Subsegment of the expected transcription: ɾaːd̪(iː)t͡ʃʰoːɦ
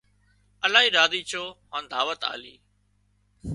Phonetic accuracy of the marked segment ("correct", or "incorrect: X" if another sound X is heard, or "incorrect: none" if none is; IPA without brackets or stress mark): correct